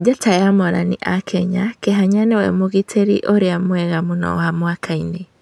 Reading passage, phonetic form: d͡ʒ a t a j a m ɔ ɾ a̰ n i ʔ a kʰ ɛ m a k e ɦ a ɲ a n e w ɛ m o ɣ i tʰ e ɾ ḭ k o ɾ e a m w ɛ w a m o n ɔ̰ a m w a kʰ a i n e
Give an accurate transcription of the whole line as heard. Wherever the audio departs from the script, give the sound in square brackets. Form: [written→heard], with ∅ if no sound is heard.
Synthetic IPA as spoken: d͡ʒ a t a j a m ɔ ɾ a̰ n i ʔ a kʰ ɛ [m→ɲ] a k e ɦ a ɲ a n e w ɛ m o ɣ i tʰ e ɾ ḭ [k→ʔ] o ɾ e a m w ɛ [w→ɣ] a m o n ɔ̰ a m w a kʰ a i n e